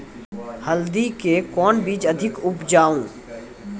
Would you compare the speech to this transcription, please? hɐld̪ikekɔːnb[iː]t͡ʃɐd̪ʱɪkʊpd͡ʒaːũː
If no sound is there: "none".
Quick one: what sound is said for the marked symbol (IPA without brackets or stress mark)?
iː